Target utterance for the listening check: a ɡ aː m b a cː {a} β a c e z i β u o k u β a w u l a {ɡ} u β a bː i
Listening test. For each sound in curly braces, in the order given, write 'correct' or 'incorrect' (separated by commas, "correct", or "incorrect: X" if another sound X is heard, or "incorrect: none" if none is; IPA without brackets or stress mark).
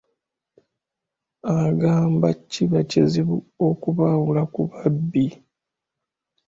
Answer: incorrect: i, incorrect: k